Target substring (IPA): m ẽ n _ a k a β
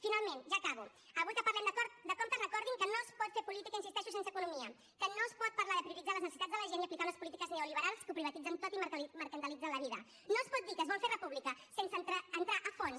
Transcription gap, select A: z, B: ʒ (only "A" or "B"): B